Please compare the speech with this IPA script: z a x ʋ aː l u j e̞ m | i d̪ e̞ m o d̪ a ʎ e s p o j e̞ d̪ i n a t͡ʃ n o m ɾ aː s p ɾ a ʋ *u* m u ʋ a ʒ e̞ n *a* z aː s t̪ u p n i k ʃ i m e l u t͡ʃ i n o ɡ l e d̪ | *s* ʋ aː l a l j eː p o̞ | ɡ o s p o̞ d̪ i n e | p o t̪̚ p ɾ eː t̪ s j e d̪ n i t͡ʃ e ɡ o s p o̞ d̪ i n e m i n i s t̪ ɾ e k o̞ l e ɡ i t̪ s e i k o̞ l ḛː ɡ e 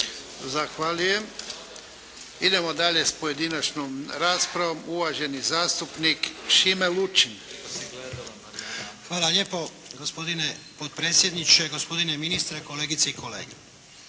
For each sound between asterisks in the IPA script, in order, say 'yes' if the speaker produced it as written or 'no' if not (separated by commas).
no, no, no